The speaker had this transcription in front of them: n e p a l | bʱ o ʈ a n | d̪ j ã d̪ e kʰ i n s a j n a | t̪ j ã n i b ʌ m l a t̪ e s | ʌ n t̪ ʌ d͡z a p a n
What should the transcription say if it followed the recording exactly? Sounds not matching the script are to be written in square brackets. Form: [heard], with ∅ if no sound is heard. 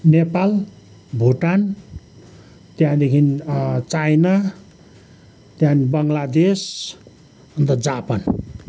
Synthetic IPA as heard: n e p a l | bʱ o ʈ a n | [t̪] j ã d̪ e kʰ i n [t͡s] a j n a | t̪ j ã n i b ʌ [ŋ] l a [d̪] e s | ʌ n t̪ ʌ d͡z a p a n